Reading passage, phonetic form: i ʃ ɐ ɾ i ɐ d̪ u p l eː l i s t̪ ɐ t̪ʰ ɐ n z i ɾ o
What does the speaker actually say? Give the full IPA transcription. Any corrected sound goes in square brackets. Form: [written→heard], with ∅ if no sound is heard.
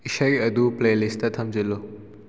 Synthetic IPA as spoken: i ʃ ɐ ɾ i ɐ d̪ u p l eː l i s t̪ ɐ t̪ʰ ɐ [n→m] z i [ɾ→l] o